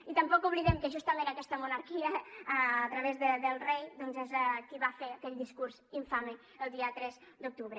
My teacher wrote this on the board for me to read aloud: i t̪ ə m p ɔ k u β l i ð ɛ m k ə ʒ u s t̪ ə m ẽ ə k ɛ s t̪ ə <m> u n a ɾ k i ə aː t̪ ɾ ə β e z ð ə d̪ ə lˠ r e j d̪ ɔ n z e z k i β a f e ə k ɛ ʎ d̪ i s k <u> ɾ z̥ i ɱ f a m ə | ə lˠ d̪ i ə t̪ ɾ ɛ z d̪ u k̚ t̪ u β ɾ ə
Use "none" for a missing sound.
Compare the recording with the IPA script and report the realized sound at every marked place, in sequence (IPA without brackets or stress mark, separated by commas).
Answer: m, u